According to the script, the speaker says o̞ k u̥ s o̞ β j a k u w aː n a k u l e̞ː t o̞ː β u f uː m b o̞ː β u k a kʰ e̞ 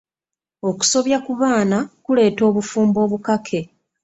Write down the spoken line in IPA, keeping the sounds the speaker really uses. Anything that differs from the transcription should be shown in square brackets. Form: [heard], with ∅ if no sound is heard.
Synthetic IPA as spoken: o̞ k u̥ s o̞ β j a k u [β] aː n a k u l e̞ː t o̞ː β u f uː m b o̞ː β u k a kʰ e̞